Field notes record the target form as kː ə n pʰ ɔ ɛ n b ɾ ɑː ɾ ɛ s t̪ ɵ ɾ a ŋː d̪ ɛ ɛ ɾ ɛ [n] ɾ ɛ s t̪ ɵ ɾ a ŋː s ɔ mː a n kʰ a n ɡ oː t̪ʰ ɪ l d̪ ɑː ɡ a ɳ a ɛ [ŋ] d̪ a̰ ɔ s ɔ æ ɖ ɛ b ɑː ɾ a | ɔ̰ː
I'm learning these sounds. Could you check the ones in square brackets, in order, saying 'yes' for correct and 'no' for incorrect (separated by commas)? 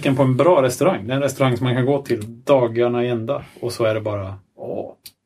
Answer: yes, no